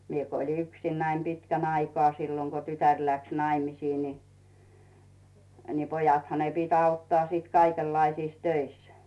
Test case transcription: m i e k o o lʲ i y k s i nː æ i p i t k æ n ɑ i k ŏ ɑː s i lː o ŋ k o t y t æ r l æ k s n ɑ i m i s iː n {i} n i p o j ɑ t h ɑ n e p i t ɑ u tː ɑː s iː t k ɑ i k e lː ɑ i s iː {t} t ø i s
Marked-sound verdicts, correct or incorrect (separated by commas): correct, incorrect